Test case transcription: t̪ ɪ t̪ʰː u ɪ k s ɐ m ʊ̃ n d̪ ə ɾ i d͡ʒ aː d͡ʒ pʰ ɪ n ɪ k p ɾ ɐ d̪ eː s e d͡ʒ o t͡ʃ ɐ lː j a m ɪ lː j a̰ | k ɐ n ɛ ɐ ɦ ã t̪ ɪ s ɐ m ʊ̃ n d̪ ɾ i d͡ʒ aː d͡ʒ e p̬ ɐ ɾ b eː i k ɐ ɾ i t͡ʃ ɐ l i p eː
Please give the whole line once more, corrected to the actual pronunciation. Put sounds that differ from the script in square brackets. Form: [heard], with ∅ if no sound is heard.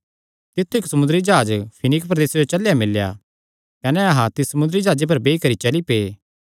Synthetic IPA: t̪ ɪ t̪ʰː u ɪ k s ɐ m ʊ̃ n d̪ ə ɾ i d͡ʒ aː d͡ʒ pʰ ɪ n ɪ k p ɾ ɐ d̪ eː s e d͡ʒ o t͡ʃ ɐ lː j a m ɪ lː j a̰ | k ɐ n ɛ ɐ ɦ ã t̪ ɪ s ɐ m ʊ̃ n d̪ ɾ i d͡ʒ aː d͡ʒ e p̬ ɐ ɾ b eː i k ɐ ɾ i t͡ʃ ɐ l i p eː

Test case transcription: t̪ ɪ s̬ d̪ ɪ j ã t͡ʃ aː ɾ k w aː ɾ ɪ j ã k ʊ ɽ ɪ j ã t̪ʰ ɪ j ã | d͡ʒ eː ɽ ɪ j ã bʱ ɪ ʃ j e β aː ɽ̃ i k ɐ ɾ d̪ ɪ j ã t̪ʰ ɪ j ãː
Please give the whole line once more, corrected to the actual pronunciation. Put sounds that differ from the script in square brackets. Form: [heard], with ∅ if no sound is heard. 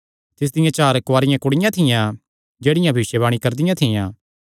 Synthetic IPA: t̪ ɪ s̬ d̪ ɪ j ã t͡ʃ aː ɾ k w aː ɾ ɪ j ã k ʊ ɽ ɪ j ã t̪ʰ ɪ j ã | d͡ʒ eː ɽ ɪ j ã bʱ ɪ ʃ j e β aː ɽ̃ i k ɐ ɾ d̪ ɪ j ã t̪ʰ ɪ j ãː

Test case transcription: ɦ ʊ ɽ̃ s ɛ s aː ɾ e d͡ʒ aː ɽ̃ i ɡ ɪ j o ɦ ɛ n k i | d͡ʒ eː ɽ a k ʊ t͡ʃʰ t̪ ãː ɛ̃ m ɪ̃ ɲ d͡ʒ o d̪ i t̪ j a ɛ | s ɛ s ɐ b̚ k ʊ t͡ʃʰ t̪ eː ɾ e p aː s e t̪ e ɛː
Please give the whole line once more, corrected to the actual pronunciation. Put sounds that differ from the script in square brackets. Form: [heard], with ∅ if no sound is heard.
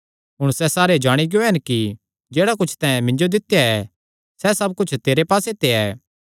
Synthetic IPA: ɦ ʊ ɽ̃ s ɛ s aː ɾ e d͡ʒ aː ɽ̃ i ɡ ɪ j o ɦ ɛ n k i | d͡ʒ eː ɽ a k ʊ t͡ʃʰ t̪ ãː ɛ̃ m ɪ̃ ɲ d͡ʒ o d̪ [ɪ] t̪ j a ɛ | s ɛ s ɐ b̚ k ʊ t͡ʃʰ t̪ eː ɾ e p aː s e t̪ e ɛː

